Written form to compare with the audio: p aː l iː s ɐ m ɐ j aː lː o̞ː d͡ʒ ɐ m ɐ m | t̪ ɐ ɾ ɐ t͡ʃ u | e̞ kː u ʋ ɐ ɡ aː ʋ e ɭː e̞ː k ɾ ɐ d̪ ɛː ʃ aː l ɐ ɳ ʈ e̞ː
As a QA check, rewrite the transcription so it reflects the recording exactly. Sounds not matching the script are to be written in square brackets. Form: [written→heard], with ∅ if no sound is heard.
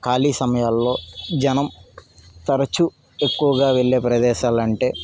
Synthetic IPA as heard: [p→k] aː l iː s ɐ m ɐ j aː lː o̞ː d͡ʒ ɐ [m→n] ɐ m | t̪ ɐ ɾ ɐ t͡ʃ u | e̞ kː u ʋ ɐ ɡ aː ʋ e ɭː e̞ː [k→p] ɾ ɐ d̪ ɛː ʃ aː l ɐ ɳ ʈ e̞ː